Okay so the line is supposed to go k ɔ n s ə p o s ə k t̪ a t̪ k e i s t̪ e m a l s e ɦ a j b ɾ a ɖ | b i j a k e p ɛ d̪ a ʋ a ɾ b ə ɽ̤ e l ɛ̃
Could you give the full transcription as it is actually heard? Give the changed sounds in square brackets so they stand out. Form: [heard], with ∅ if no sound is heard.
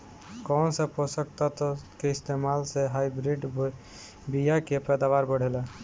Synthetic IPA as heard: k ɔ n s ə p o s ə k t̪ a t̪ k e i s t̪ e m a l s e ɦ a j b ɾ [i] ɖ | b i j a k e p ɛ d̪ a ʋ a ɾ b ə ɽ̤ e l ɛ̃